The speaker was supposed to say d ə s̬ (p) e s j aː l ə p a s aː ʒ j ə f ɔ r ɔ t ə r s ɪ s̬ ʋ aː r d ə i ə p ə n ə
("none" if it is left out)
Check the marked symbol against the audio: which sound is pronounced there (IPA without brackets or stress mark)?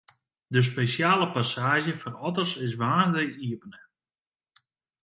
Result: p